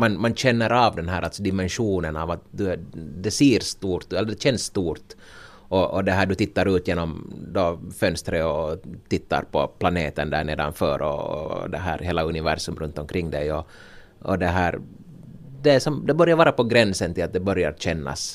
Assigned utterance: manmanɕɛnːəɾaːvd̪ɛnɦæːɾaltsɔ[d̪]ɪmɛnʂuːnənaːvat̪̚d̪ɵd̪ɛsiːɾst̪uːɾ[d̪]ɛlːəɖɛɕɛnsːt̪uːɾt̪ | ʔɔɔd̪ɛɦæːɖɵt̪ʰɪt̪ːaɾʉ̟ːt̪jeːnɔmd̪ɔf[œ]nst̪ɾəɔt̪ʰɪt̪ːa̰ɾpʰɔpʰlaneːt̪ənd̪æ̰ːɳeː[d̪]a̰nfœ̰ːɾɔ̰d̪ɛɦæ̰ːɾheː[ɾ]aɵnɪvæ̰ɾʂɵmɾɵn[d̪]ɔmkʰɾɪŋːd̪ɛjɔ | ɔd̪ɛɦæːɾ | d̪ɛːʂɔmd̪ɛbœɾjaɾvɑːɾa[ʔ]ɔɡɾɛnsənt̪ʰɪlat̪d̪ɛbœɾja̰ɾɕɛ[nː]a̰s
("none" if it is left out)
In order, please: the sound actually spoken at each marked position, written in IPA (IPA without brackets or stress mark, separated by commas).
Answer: d̪, t̪, œ, d̪, l, t̪, p, nː